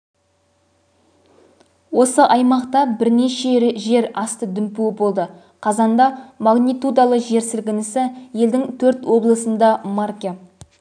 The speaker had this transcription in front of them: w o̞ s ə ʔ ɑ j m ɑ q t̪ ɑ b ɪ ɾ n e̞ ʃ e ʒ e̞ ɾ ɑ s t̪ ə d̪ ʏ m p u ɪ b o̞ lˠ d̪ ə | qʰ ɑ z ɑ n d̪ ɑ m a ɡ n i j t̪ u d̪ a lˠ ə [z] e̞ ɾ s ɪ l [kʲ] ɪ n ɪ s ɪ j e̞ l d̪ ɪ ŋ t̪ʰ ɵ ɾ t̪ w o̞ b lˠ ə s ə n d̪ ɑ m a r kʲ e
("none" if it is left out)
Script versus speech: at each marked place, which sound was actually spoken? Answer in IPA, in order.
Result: ʒ, ɡʲ

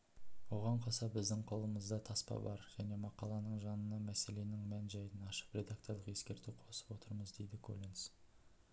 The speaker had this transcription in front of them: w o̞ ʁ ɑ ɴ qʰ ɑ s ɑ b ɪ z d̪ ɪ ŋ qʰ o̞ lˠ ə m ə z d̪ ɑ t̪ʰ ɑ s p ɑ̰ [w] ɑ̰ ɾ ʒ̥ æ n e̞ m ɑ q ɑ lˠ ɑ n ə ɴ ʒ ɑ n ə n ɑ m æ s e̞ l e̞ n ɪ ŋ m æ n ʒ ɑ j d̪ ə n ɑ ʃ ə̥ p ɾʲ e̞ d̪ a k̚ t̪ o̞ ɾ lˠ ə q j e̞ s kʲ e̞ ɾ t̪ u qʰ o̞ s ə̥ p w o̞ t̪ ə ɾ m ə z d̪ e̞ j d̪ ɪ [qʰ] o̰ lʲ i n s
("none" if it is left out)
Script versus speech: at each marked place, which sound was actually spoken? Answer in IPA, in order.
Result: b, kʰ

